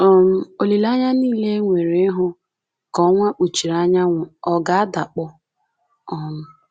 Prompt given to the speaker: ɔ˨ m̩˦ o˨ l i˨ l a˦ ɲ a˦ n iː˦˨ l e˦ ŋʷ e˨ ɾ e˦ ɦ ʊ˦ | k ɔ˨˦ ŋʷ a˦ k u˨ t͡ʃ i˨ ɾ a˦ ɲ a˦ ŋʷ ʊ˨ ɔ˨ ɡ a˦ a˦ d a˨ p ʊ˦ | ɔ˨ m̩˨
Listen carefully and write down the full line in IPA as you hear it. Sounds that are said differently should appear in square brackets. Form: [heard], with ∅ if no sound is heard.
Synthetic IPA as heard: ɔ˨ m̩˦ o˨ l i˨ l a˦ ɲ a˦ n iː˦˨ l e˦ ŋʷ e˨ ɾ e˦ ɦ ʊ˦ | k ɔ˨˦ ŋʷ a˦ [k͡p] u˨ t͡ʃ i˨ ɾ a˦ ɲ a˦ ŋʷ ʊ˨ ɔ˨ ɡ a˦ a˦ d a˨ [k͡p] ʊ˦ | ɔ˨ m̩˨